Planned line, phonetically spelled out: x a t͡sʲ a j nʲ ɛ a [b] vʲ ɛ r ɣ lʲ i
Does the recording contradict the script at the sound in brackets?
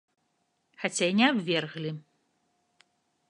no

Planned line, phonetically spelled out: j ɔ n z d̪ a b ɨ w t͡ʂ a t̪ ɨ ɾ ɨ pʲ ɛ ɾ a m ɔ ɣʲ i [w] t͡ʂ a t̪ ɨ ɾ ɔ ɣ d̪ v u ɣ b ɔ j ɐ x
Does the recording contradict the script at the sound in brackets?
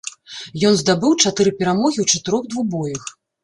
no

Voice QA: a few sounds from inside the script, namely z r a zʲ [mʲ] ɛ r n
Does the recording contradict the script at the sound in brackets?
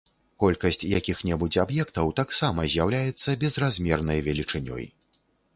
no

